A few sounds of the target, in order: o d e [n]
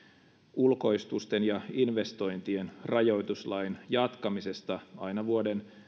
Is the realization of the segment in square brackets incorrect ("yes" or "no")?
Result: no